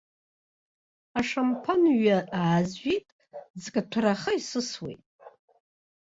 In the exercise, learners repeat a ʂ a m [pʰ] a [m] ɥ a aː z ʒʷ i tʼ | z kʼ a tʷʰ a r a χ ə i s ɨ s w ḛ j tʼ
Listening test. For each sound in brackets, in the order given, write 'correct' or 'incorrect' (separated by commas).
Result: correct, incorrect